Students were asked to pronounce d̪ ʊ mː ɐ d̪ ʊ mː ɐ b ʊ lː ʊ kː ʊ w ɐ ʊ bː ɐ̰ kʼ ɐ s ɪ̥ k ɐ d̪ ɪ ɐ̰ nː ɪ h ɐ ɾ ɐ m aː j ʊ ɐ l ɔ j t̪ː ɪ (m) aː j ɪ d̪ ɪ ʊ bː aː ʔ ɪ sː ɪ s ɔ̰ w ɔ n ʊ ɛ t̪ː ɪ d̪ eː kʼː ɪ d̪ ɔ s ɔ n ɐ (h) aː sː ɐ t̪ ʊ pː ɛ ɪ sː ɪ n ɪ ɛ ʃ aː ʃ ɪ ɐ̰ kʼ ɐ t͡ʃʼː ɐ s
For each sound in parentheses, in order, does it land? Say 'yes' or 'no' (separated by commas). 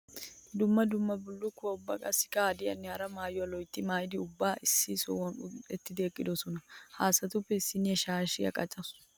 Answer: yes, yes